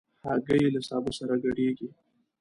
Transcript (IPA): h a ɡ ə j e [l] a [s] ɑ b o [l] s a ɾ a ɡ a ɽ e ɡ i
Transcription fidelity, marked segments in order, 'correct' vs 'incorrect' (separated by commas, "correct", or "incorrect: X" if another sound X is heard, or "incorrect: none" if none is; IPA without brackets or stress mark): correct, correct, incorrect: none